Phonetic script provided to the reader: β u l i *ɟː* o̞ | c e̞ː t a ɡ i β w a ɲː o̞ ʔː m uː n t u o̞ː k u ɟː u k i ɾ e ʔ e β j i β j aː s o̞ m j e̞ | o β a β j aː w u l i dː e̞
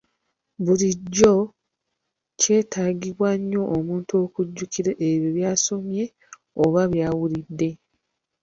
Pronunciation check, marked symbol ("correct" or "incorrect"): correct